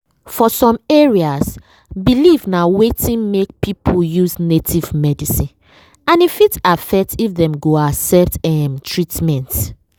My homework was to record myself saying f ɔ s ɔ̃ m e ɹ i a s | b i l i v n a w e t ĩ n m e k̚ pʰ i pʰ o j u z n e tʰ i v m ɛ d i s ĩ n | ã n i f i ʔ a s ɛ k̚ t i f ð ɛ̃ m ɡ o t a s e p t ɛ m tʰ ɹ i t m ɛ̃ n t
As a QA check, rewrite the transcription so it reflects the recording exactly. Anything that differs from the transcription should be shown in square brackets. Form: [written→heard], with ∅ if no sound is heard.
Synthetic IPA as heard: f ɔ s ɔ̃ m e ɹ i a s | b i l i v n a w e t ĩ n m e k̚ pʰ i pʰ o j u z n e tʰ i v m ɛ d i s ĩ n | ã n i f i [ʔ→t] a [s→f] ɛ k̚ t i f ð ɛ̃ m ɡ o [t→∅] a s [e→ɛ] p t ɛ m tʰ ɹ i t m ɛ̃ n t